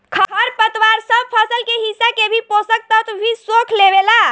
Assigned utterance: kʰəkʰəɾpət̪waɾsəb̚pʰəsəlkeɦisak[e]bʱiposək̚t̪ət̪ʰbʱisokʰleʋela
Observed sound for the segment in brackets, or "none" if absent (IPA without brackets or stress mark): e